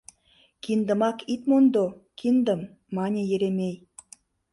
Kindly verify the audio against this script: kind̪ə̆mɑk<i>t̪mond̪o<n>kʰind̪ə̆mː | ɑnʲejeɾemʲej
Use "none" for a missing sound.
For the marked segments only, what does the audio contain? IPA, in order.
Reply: i, none

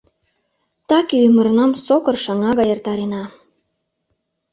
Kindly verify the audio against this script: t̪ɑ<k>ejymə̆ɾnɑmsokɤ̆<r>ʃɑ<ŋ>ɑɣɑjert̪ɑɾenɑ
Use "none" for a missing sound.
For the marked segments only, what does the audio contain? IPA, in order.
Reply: k, r, ŋ

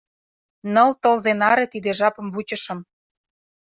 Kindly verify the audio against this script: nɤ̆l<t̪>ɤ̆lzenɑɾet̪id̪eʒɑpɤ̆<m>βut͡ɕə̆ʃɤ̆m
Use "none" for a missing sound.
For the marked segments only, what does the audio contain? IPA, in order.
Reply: t̪, m

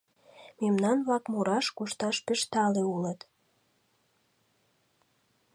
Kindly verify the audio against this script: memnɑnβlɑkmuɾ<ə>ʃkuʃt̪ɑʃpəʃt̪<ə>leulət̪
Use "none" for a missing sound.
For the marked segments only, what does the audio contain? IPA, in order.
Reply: ɑ, ɑ

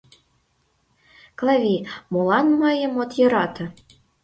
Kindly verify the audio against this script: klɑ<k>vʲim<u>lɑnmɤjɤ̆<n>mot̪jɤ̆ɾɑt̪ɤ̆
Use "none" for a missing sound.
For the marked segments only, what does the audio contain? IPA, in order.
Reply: none, o, none

